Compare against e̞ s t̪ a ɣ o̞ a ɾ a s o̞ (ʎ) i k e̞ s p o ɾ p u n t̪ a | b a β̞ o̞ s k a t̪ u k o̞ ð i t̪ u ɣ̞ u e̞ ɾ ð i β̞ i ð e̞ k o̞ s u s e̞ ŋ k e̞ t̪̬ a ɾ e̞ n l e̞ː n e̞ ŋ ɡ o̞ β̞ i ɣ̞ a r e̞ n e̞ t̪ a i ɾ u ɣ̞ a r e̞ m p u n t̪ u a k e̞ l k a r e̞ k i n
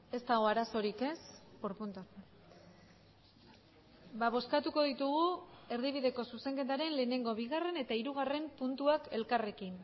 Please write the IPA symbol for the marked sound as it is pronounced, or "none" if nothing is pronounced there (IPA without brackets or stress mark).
ɾ